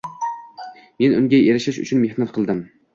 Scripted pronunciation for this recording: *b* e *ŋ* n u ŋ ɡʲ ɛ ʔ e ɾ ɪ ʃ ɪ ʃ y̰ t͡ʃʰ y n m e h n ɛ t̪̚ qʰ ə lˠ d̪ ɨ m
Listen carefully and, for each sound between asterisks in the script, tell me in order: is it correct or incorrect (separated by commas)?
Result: incorrect, incorrect